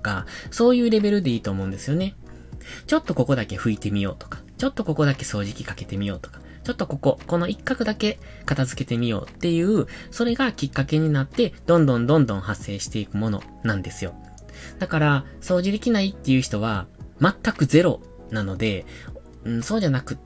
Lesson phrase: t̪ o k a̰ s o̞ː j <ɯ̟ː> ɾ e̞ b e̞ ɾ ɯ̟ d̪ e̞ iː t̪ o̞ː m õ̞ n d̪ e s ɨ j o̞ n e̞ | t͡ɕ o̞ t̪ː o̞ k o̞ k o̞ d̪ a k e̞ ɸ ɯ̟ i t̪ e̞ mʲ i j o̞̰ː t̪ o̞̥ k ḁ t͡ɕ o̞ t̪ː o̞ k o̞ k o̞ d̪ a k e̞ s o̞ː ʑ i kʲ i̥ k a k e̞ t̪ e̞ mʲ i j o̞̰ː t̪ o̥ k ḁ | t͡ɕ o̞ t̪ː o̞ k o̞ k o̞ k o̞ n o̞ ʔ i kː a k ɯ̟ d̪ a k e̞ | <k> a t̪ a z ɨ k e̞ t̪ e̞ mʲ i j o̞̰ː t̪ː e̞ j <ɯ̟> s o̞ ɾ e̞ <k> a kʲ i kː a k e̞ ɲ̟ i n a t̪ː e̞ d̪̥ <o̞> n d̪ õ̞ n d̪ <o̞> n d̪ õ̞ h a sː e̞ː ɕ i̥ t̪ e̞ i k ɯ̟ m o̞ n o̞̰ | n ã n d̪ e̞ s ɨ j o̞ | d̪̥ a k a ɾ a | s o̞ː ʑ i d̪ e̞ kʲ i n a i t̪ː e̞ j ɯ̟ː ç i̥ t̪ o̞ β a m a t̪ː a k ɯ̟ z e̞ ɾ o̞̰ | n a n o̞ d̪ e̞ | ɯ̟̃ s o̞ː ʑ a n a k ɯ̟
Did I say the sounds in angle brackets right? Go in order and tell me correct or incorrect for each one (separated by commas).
correct, correct, incorrect, incorrect, incorrect, incorrect